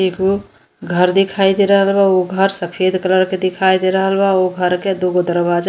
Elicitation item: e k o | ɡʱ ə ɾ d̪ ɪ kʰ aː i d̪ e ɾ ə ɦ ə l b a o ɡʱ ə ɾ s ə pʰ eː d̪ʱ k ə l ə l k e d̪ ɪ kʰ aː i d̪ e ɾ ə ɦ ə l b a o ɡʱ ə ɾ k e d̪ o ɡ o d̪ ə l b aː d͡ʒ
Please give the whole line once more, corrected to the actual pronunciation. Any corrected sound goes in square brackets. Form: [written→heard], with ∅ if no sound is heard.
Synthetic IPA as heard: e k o | ɡʱ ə ɾ d̪ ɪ kʰ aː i d̪ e ɾ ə ɦ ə l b a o ɡʱ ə ɾ s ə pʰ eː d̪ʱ k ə l ə [l→ɾ] k e d̪ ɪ kʰ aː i d̪ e ɾ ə ɦ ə l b a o ɡʱ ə ɾ k e d̪ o ɡ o d̪ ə [l→ɾ] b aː d͡ʒ